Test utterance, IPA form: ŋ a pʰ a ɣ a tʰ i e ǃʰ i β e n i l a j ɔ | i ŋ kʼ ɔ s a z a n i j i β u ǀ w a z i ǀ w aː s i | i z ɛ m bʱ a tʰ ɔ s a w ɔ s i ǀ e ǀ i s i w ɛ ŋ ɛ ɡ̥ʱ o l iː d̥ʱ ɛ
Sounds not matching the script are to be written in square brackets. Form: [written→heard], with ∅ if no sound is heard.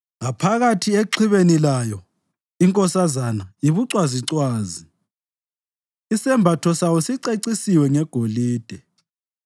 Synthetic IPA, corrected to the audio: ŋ a pʰ a ɣ a tʰ i e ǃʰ i β e n i l a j ɔ | i ŋ kʼ ɔ s a z a n [i→a] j i β u ǀ w a z i ǀ w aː [s→z] i | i [z→s] ɛ m bʱ a tʰ ɔ s a w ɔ s i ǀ e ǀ i s i w ɛ ŋ ɛ ɡ̥ʱ o l iː d̥ʱ ɛ

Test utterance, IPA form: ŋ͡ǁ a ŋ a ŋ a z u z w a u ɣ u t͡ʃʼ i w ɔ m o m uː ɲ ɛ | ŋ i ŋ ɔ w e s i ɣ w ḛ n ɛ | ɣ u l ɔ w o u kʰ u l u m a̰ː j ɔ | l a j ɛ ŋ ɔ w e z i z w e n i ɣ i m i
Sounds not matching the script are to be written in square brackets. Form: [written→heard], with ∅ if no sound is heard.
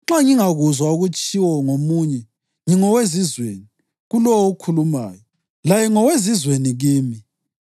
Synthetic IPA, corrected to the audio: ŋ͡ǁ a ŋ [a→i] ŋ a [z→ɣ] u z w a u ɣ u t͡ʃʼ i w ɔ [m→ŋ] o m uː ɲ ɛ | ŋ i ŋ ɔ w e [s→z] i [ɣ→z] w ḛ n [ɛ→i] | ɣ u l ɔ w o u kʰ u l u m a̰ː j ɔ | l a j ɛ ŋ ɔ w e z i z w e n i ɣ [i→iː] m i

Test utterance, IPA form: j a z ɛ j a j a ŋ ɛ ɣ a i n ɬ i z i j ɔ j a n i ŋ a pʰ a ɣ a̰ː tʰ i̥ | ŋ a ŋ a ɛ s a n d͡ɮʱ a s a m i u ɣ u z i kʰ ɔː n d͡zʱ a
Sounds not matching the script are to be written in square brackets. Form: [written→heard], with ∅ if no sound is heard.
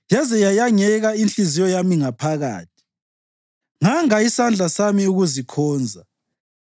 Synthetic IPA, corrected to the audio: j a z ɛ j a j a ŋ ɛ ɣ a i n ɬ i z i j ɔ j a [n→m] i ŋ a pʰ a ɣ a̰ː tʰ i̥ | ŋ a ŋ a [ɛ→i] s a n d͡ɮʱ a s a m i u ɣ u z i kʰ ɔː n d͡zʱ a

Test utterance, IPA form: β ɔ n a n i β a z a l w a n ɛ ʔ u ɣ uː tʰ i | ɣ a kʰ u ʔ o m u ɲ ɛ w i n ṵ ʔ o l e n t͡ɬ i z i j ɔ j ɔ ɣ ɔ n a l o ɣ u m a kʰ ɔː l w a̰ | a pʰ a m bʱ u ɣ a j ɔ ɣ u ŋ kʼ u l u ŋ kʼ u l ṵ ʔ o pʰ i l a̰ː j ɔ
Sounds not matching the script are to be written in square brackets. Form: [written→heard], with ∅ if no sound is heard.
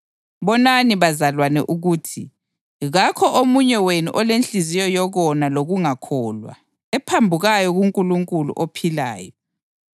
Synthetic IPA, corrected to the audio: β ɔ n a n i β a z a l w a n ɛ ʔ u ɣ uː tʰ i | ɣ a kʰ [u→ɔ] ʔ o m u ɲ ɛ w [i→e] n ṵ ʔ [o→ɔ] l e n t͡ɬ i z i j ɔ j ɔ ɣ ɔ n a l o ɣ u [m→ŋ] a kʰ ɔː l w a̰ | [a→ɛ] pʰ a m bʱ u ɣ a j ɔ ɣ u ŋ kʼ u l u ŋ kʼ u l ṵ ʔ o pʰ i l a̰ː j ɔ

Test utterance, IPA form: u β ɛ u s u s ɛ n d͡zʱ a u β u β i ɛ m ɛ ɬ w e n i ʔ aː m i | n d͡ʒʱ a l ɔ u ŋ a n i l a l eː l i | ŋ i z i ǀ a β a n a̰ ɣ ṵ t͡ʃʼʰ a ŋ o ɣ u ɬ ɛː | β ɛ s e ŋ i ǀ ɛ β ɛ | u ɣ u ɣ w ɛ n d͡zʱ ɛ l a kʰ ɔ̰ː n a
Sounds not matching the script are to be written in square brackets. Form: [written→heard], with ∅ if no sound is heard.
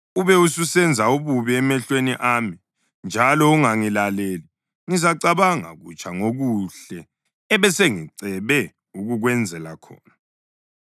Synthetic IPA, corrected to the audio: u β ɛ u s u s ɛ n d͡zʱ a u β u β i ɛ m ɛ ɬ w e n i ʔ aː m i | n d͡ʒʱ a l ɔ u ŋ a [n→ŋ] i l a l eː l i | ŋ i z [i→a] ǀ a β a [n→ŋ] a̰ ɣ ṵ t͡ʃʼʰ a ŋ o ɣ u ɬ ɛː | β ɛ s e ŋ i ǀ ɛ β ɛ | u ɣ u ɣ w ɛ n d͡zʱ ɛ l a kʰ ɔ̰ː n a

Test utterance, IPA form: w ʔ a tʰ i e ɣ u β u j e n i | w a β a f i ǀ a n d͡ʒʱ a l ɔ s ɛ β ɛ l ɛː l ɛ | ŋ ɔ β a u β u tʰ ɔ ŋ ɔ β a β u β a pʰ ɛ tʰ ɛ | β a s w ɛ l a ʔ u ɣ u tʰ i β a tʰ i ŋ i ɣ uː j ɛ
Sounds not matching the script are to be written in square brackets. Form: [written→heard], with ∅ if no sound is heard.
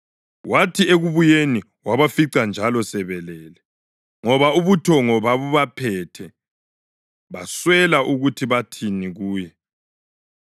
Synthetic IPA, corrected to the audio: w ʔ a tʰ i e ɣ u β u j e n i | w a β a f i ǀ a n d͡ʒʱ a l ɔ s ɛ β ɛ l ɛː l ɛ | ŋ ɔ β a u β u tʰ ɔ ŋ ɔ β a β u β a pʰ ɛ tʰ ɛ | β a s w ɛ l a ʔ u ɣ u tʰ i β a tʰ i [ŋ→n] i ɣ uː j ɛ

